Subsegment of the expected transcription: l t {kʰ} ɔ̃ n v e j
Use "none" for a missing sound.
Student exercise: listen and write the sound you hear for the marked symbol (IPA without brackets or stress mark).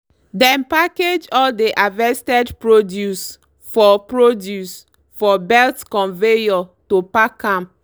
k